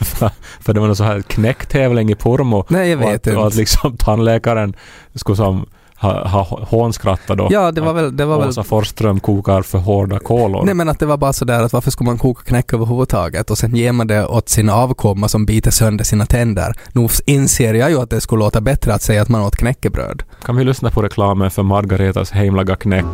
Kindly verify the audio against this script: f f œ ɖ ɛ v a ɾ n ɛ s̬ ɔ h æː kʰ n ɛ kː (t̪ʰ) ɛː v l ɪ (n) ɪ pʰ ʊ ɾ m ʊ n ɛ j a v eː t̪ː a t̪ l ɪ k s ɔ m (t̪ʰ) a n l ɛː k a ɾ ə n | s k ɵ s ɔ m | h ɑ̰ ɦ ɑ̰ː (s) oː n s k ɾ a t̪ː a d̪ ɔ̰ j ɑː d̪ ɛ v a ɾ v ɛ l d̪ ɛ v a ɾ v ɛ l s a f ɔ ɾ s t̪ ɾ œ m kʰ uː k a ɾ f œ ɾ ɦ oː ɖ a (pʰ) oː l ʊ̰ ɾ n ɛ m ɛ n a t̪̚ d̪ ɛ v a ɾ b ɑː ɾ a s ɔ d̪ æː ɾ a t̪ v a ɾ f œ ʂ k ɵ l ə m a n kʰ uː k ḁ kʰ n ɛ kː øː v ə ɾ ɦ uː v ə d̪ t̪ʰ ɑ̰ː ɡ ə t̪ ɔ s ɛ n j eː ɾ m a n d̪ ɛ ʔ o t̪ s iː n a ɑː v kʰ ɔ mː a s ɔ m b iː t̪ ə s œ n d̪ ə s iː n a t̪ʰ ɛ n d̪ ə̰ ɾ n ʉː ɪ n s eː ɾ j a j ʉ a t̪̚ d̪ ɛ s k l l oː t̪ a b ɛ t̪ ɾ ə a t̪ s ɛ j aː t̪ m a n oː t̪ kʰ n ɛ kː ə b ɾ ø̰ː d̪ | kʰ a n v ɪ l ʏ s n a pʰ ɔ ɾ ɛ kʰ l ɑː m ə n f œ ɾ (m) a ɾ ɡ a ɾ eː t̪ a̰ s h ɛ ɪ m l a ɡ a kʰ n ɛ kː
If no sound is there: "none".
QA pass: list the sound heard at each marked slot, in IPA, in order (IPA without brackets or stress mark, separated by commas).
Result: t̪ʰ, ŋ, t̪ʰ, h, kʰ, m